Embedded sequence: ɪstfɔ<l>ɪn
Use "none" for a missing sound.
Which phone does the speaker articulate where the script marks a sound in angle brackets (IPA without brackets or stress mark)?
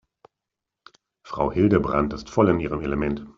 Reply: l